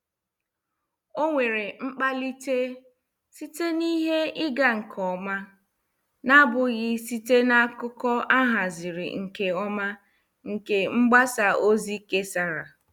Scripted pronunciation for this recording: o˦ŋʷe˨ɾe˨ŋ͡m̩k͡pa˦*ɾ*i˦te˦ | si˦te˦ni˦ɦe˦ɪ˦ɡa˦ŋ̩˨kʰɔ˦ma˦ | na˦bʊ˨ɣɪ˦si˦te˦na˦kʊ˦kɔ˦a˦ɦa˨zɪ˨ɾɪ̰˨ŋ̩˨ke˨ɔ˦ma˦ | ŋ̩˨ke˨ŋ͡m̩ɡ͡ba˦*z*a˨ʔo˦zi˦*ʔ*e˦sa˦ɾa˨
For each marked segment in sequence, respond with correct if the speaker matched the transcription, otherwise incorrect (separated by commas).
incorrect, incorrect, incorrect